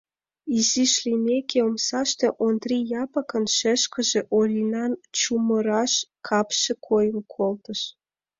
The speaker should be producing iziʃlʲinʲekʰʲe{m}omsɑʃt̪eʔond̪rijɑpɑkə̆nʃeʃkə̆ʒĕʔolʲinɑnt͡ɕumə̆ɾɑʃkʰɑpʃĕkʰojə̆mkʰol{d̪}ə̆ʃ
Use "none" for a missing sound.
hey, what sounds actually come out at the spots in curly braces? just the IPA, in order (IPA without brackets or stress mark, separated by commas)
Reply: none, t̪